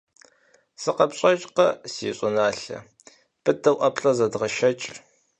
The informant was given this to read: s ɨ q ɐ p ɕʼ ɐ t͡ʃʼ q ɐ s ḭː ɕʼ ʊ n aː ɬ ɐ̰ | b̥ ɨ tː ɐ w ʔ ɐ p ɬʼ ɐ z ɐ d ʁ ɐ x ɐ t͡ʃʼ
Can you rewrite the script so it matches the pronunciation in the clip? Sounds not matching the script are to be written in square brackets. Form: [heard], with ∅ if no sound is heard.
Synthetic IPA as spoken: s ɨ q ɐ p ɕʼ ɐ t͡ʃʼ q ɐ s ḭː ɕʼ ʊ n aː ɬ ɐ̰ | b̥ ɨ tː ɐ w ʔ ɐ p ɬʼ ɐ z ɐ d ʁ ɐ [ʃ] ɐ t͡ʃʼ